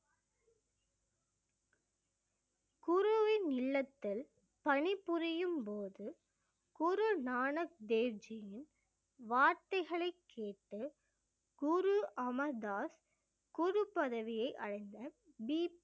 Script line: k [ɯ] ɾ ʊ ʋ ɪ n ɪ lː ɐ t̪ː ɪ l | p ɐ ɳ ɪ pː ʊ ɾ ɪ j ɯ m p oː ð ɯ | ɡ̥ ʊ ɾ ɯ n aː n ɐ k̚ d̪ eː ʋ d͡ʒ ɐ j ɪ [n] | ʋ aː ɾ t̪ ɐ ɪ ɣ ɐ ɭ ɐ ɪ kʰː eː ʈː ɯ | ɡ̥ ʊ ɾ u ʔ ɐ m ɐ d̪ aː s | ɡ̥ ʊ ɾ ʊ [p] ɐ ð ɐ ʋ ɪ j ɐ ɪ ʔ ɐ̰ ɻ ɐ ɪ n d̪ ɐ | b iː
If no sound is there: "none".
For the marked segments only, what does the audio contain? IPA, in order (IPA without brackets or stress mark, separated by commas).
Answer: ʊ, n, p